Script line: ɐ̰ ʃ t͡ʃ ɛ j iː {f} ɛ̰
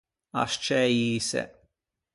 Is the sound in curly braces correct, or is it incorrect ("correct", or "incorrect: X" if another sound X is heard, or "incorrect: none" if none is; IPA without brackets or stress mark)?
incorrect: s